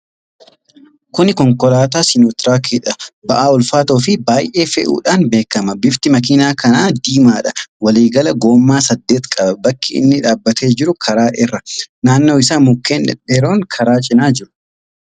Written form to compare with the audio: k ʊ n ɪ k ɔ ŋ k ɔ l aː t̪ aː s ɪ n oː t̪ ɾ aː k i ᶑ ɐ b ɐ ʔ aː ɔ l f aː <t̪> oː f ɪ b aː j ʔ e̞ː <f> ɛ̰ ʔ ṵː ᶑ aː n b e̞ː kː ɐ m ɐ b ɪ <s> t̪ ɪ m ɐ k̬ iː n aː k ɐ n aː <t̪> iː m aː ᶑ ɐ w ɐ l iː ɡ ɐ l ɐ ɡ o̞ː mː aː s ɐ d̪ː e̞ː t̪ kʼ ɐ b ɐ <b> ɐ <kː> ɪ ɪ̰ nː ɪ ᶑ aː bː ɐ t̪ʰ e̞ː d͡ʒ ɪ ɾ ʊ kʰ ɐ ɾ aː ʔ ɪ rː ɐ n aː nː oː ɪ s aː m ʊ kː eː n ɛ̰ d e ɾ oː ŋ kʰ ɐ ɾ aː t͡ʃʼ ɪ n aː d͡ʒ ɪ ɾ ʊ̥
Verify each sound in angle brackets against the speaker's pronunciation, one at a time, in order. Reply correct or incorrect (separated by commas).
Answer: correct, correct, incorrect, incorrect, correct, correct